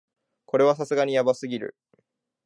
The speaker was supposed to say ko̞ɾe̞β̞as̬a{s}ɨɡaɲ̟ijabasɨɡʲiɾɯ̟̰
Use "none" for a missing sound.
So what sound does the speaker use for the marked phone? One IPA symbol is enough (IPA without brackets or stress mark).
s